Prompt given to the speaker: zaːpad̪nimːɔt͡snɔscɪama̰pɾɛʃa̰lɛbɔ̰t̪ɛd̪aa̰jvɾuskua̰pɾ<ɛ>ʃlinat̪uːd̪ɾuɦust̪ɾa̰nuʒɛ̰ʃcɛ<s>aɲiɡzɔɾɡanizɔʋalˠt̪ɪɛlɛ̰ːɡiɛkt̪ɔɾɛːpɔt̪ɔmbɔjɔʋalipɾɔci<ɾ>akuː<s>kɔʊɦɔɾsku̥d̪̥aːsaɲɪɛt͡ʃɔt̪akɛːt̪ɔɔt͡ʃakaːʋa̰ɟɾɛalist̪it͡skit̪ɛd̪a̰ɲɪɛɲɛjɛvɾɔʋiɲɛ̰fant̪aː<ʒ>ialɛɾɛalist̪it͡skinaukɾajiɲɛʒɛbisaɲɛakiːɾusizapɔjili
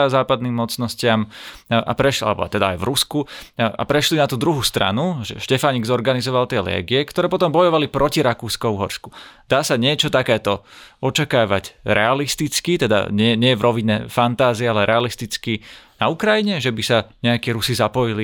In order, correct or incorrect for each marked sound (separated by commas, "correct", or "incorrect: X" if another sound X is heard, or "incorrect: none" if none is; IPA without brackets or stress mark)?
correct, incorrect: f, correct, correct, incorrect: z